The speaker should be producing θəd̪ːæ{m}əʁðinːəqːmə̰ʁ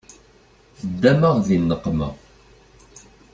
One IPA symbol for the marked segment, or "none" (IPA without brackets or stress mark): m